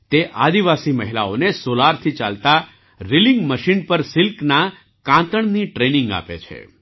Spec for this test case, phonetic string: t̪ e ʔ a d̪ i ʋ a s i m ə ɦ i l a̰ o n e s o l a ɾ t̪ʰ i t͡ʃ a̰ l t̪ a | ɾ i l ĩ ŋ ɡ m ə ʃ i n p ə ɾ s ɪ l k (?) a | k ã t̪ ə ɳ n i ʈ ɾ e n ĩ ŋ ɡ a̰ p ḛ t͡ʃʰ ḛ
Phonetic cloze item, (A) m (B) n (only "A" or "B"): B